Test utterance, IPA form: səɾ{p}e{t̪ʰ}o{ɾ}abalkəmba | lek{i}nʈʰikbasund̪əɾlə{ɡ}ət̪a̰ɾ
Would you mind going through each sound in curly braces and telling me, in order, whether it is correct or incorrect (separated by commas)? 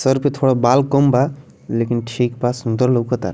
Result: correct, correct, incorrect, correct, incorrect